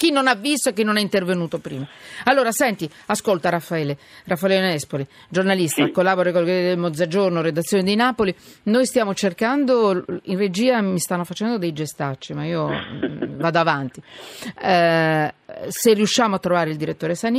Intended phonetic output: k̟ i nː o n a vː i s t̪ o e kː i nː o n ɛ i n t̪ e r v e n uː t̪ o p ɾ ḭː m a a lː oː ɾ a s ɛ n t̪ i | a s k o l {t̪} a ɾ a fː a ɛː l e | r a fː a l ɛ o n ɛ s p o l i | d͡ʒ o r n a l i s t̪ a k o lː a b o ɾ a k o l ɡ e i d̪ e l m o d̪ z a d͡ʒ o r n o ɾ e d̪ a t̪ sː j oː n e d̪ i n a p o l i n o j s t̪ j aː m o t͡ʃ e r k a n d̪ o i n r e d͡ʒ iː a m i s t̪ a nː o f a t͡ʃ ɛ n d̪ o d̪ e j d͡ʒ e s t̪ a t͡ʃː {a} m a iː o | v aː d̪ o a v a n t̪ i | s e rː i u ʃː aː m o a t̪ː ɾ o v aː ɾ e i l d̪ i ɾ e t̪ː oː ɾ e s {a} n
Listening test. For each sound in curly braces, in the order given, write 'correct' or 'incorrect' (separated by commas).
correct, incorrect, correct